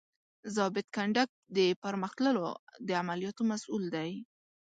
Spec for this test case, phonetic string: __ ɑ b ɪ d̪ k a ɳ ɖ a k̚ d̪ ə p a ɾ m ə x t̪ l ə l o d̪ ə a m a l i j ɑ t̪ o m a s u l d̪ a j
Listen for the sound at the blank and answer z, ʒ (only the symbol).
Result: z